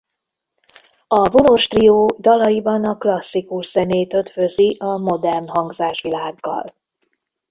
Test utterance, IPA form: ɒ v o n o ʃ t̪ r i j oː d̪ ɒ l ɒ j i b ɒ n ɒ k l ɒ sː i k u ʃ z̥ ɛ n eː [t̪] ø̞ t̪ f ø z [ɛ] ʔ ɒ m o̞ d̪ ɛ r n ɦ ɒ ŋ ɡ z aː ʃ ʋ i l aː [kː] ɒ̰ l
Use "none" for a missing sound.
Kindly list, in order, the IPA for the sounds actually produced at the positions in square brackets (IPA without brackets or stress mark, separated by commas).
t̪, i, ɡː